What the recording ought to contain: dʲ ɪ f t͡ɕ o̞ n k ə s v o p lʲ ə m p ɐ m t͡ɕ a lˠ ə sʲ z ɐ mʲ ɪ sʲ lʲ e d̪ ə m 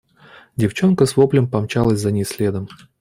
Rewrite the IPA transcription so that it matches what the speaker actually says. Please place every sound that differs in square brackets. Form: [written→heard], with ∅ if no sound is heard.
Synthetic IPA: dʲ ɪ f t͡ɕ o̞ n k ə s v o p lʲ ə m p ɐ m t͡ɕ a lˠ ə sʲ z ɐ [mʲ→nʲ] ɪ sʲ lʲ e d̪ ə m